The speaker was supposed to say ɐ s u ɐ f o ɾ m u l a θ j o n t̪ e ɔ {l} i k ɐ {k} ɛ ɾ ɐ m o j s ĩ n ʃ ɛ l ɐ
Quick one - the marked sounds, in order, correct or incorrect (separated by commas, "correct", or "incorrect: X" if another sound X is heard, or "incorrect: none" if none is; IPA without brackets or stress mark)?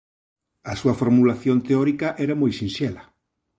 incorrect: ɾ, incorrect: ʔ